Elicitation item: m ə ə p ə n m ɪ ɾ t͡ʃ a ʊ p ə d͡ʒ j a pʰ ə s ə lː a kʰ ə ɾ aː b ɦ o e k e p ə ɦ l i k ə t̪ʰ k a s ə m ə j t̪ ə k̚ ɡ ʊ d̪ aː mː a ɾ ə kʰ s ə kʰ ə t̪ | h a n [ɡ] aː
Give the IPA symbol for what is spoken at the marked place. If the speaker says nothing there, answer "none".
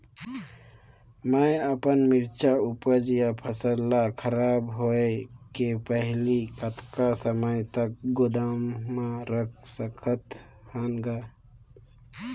ɡ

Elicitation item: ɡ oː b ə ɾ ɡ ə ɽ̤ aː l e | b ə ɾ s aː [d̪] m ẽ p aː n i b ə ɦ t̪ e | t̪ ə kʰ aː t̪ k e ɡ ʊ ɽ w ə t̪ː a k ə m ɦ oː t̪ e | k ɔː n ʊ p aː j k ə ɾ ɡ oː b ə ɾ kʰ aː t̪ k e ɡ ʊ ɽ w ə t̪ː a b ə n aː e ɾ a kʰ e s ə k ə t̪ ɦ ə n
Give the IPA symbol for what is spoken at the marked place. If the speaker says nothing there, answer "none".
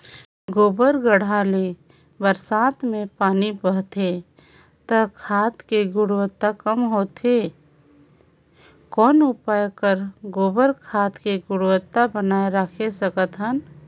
t̪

